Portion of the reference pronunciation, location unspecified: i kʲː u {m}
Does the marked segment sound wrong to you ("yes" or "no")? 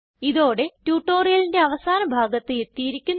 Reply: yes